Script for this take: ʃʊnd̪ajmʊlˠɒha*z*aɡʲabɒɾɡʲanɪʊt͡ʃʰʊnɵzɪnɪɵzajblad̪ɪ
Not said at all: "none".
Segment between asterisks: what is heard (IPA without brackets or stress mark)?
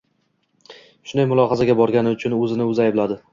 z